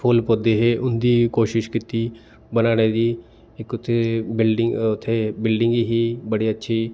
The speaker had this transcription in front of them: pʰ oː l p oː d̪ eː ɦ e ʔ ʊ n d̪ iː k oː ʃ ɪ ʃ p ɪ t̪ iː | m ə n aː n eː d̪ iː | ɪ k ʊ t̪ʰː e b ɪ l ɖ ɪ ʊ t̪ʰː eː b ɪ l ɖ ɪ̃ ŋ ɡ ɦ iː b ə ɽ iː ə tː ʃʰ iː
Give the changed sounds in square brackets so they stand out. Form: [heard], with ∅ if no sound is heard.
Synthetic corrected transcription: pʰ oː l p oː d̪ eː ɦ e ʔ ʊ n d̪ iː k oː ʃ ɪ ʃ [k] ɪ t̪ iː | [b] ə n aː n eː d̪ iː | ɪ k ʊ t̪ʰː e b ɪ l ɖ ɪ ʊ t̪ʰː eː b ɪ l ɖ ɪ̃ ŋ ɡ ɦ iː b ə ɽ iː ə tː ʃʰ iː